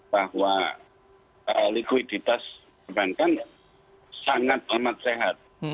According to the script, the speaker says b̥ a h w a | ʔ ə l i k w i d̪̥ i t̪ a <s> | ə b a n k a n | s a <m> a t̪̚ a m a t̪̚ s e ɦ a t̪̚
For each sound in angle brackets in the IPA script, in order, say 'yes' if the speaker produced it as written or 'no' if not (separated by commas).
yes, no